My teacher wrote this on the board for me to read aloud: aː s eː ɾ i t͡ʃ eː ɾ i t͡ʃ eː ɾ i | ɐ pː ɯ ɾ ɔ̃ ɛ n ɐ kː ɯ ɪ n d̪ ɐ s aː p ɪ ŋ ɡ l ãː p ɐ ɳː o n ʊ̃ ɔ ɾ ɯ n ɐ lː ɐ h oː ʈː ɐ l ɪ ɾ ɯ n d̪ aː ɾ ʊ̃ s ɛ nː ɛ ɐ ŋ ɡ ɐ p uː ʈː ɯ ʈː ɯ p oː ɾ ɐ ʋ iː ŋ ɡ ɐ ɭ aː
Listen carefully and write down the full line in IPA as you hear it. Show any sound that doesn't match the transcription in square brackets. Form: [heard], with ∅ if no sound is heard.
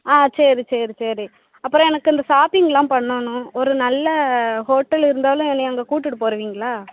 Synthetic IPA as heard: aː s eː ɾ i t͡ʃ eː ɾ i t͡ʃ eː ɾ i | ɐ pː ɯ ɾ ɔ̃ ɛ n ɐ kː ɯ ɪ n d̪ ɐ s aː p ɪ ŋ ɡ l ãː p ɐ ɳː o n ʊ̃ ɔ ɾ ɯ n ɐ lː ɐ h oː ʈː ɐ l ɪ ɾ ɯ n d̪ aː [l] ʊ̃ [∅] ɛ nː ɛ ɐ ŋ ɡ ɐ [k] uː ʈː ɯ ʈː ɯ p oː ɾ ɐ ʋ iː ŋ ɡ ɐ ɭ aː